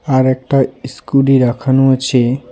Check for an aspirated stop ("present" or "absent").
present